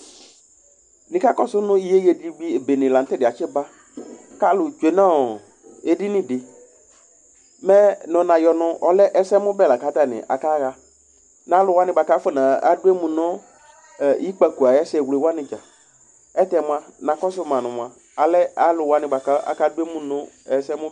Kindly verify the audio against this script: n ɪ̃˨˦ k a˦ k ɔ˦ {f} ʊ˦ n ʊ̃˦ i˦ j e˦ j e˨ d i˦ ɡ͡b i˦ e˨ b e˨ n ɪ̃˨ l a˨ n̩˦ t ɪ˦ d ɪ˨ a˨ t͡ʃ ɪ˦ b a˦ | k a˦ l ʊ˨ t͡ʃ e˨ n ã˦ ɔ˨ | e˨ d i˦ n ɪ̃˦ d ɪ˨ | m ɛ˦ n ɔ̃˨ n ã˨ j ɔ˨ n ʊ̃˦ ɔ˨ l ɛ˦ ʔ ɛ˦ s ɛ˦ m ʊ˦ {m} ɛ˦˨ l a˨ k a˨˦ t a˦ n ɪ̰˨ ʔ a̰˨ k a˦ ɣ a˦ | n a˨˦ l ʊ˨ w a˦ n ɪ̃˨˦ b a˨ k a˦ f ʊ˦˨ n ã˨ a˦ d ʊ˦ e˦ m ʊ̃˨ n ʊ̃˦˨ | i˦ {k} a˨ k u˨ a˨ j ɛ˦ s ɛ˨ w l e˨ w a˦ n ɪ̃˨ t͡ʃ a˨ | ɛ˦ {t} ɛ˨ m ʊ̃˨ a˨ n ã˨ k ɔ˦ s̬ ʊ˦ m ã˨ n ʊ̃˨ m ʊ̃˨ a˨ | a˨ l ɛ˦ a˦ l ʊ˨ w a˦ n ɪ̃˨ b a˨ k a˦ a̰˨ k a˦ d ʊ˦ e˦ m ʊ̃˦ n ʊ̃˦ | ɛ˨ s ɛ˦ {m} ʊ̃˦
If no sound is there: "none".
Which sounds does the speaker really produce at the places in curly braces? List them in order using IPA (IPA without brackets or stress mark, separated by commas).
s, b, k͡p, t, m